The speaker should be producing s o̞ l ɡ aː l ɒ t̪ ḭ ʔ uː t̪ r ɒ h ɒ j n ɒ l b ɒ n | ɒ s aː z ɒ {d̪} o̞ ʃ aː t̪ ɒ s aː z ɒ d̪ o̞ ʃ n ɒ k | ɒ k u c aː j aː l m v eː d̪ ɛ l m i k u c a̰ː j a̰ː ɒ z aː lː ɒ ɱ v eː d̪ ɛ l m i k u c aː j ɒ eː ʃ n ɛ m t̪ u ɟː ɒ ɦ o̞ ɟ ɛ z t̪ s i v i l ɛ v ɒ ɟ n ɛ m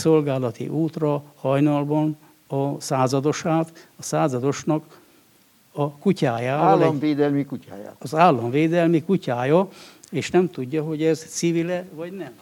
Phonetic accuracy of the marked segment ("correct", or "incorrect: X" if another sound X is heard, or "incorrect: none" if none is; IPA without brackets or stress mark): correct